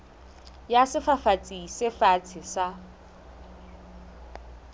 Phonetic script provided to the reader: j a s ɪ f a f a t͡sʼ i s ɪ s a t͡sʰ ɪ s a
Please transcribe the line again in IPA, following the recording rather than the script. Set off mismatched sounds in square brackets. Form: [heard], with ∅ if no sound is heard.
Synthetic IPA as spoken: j a s ɪ f a f a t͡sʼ i s ɪ [f] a t͡sʰ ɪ s a